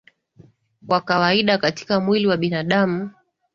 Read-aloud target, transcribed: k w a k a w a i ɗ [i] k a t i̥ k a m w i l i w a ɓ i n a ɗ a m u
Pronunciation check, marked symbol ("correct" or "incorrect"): incorrect